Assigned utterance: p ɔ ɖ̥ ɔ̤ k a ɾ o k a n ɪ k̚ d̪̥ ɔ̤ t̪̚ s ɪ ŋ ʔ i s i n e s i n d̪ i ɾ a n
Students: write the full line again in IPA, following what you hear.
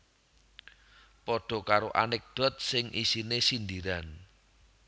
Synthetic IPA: p ɔ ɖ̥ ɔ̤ k a ɾ o ʔ a n ɪ k̚ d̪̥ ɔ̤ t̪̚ s ɪ ŋ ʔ i s i n e s i n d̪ i ɾ a n